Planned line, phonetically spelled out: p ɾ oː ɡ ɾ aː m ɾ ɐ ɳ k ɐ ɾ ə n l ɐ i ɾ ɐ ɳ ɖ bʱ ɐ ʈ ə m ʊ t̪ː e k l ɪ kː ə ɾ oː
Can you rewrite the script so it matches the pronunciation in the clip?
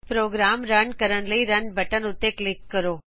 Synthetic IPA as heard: p ɾ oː ɡ ɾ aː m ɾ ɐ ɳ k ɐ ɾ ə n l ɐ i ɾ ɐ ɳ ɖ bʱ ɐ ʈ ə n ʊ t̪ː e k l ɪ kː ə ɾ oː